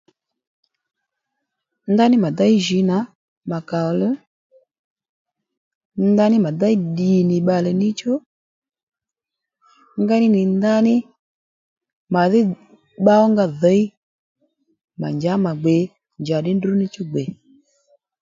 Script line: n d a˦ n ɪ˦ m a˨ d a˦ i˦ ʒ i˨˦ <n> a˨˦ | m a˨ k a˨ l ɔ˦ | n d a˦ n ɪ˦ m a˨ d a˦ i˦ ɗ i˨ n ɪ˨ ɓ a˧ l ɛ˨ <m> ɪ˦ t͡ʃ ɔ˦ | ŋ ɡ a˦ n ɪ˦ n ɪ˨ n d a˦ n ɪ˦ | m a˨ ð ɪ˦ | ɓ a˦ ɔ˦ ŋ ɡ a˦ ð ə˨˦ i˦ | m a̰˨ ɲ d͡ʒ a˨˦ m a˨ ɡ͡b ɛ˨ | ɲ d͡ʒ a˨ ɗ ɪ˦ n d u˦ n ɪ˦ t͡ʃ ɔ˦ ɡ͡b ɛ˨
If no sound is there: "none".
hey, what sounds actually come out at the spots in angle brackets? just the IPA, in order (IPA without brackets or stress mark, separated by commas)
n, n